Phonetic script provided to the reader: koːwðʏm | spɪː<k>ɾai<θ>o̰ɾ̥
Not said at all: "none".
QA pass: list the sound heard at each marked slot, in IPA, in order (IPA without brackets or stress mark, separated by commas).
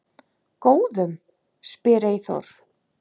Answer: none, θ